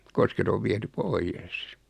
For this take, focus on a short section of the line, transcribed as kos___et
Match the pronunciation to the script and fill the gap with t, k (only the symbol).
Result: k